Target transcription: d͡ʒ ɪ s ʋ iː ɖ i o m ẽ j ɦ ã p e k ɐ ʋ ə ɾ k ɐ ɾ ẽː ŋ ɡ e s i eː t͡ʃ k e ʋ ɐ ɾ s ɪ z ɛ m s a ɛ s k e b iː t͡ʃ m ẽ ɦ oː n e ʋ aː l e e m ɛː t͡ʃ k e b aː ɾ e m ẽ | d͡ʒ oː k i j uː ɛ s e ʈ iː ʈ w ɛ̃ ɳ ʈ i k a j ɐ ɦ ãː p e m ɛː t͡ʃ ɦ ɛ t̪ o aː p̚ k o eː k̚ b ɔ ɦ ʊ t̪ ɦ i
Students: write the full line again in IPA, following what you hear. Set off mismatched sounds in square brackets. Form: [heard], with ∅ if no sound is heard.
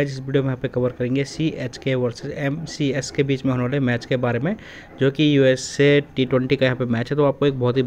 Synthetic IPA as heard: d͡ʒ ɪ s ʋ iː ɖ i o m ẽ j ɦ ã p e k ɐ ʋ ə ɾ k ɐ ɾ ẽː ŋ ɡ e s i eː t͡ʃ k e ʋ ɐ ɾ s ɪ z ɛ m s [i] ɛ s k e b iː t͡ʃ m ẽ ɦ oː n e ʋ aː l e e m ɛː t͡ʃ k e b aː ɾ e m ẽ | d͡ʒ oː k i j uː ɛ s e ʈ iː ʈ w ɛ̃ ɳ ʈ i k a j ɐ ɦ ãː p e m ɛː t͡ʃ ɦ ɛ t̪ o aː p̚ k o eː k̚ b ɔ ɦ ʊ t̪ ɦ i